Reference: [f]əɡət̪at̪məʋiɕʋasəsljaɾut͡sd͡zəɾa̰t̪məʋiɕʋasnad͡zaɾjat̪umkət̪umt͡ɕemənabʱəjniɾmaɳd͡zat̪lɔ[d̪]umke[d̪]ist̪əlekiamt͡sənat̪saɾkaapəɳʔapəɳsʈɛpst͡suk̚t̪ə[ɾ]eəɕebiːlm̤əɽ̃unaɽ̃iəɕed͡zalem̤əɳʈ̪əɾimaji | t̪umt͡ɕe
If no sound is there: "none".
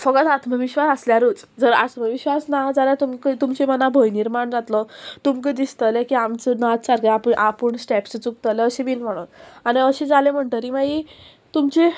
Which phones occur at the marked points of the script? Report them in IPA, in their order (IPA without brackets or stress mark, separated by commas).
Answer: f, t̪, d̪, l